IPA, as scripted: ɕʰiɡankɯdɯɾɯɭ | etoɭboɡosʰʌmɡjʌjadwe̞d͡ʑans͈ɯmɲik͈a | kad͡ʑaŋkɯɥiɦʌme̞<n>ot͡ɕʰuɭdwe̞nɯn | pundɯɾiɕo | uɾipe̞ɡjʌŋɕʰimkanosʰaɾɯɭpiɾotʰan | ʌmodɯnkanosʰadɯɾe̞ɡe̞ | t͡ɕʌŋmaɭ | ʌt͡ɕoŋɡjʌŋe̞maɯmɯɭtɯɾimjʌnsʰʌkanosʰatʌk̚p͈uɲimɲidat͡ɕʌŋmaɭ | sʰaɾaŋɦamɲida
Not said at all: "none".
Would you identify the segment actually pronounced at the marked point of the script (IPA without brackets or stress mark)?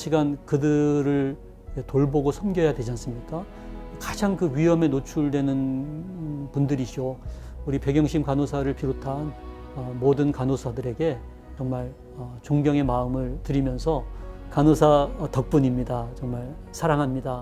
n